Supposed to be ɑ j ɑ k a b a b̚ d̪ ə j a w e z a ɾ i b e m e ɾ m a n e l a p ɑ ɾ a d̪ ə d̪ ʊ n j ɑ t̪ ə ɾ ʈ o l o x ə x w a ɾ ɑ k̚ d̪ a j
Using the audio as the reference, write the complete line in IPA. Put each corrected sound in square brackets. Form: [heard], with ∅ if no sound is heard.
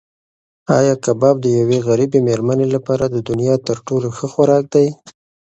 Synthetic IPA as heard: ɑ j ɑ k a b [ɑ] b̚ d̪ ə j a w e [ɣ] a ɾ i b e m e ɾ m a n e l a p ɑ ɾ a d̪ ə d̪ ʊ n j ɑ t̪ ə ɾ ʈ o l o x ə x w a ɾ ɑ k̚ d̪ a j

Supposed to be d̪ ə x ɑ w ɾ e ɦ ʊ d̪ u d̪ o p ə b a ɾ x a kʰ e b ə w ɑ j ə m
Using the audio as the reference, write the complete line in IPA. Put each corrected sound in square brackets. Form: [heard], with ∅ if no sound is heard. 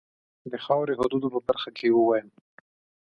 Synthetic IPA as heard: d̪ ə x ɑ w ɾ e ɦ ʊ d̪ u d̪ o p ə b a ɾ x a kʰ e [w] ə w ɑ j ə m

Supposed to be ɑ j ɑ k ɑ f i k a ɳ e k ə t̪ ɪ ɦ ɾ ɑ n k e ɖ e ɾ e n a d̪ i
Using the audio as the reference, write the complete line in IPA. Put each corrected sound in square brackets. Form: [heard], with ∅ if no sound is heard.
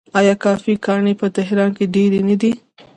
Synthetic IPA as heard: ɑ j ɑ k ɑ f i k [ɑ] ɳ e [p] ə t̪ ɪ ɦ ɾ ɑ n k e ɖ e ɾ e n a d̪ i

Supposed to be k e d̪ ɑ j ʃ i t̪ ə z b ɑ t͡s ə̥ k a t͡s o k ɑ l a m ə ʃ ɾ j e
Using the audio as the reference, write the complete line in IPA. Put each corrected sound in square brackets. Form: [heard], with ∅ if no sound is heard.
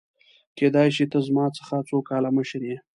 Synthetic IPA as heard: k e d̪ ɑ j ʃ i t̪ ə z [m] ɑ t͡s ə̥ [x] a t͡s o k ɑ l a m ə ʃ ɾ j e

